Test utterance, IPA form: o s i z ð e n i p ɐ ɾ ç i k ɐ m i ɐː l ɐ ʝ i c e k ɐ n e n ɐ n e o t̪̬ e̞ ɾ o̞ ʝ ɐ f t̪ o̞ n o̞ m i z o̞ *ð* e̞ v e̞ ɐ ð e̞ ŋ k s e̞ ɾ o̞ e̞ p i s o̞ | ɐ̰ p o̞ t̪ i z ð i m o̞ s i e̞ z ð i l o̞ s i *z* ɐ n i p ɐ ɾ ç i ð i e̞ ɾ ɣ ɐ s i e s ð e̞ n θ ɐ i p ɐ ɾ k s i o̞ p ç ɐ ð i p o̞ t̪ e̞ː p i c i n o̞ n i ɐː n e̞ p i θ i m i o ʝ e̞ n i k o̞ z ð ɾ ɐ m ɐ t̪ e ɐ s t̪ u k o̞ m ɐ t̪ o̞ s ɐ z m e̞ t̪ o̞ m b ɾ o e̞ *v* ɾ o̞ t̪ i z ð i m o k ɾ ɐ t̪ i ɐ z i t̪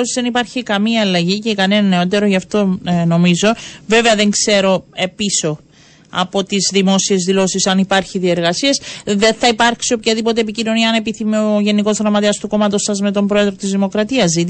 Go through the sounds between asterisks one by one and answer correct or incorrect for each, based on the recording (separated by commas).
incorrect, incorrect, incorrect